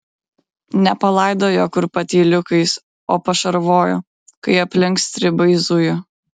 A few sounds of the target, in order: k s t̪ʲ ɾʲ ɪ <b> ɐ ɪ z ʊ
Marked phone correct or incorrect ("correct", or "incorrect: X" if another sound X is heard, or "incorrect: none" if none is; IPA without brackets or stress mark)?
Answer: correct